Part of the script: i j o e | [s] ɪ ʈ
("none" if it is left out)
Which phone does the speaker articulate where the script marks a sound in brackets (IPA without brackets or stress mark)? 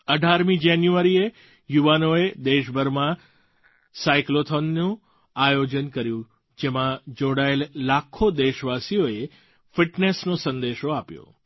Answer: f